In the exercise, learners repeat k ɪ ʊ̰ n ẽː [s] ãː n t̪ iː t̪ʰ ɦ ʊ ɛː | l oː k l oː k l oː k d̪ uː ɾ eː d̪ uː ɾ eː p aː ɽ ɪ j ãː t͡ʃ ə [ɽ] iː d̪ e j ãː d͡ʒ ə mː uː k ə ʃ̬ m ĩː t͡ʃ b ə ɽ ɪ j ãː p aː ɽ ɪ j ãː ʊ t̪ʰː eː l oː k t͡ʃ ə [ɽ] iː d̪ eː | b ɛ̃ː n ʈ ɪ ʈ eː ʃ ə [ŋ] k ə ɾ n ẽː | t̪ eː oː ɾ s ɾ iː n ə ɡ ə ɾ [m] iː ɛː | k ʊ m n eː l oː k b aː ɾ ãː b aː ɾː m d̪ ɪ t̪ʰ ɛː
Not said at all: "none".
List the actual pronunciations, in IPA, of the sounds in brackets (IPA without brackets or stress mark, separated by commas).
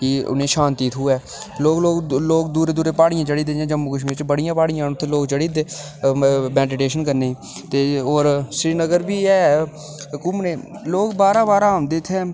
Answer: ʃ, ɽ, ɽ, n, b